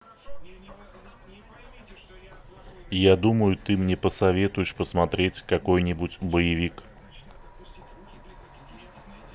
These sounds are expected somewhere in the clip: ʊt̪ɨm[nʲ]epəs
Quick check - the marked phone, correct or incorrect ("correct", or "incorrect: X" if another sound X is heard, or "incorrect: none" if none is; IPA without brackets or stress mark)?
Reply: correct